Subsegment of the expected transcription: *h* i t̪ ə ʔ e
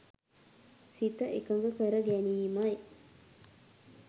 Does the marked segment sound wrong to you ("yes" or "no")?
yes